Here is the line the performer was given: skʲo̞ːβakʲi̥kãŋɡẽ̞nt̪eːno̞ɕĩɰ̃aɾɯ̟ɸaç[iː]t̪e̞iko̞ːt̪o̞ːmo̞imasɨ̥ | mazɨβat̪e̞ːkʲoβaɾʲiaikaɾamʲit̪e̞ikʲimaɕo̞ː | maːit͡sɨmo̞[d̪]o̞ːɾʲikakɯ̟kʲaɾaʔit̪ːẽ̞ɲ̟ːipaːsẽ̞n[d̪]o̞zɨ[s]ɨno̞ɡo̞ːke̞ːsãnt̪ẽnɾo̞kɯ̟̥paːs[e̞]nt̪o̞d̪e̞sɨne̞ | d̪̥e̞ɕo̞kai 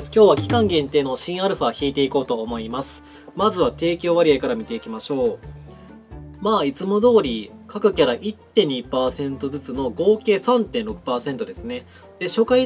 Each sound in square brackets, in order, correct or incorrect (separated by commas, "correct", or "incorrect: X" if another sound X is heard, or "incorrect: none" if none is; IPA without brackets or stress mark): correct, correct, incorrect: t̪, incorrect: t͡s, incorrect: ẽ̞